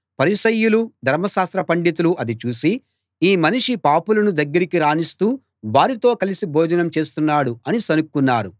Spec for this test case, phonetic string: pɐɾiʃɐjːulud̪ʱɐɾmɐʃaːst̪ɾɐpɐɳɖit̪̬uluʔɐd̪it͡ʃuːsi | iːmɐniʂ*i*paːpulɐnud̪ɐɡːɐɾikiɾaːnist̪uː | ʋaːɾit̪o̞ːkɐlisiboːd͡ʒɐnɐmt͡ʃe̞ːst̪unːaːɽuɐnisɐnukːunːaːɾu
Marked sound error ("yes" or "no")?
no